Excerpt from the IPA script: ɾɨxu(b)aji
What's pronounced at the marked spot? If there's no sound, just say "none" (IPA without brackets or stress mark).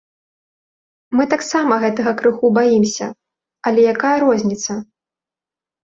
b